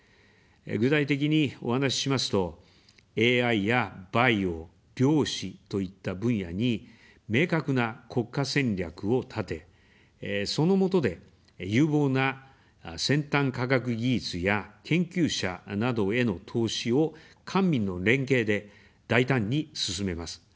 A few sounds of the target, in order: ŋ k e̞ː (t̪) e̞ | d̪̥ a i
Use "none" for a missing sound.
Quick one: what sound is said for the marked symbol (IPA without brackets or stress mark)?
d̪